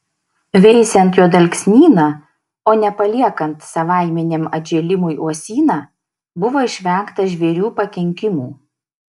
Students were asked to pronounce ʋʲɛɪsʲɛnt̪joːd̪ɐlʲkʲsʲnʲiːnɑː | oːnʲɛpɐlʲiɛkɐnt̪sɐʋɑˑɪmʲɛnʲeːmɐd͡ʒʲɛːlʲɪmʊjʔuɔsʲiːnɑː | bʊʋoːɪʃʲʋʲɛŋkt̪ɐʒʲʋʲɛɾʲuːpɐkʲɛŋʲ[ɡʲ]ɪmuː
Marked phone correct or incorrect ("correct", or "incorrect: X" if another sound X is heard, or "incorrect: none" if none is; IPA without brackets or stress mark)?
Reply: incorrect: kʲ